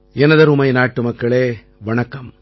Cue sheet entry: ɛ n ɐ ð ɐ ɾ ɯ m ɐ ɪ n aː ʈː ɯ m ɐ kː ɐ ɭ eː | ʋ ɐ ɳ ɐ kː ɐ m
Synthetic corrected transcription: ɛ n ɐ ð ɐ ɾ ʊ m ɐ ɪ n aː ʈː ɯ m ɐ kː ɐ ɭ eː | ʋ ɐ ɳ ɐ kː ɐ m